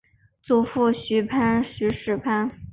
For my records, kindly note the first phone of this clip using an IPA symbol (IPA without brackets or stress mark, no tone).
t͡s